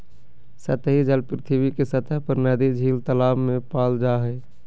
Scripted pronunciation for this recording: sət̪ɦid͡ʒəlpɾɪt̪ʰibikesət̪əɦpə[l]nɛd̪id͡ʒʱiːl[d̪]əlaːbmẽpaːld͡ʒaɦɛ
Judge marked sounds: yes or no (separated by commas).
no, no